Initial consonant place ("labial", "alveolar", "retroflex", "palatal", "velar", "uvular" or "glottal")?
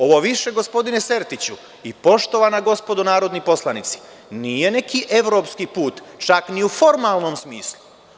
labial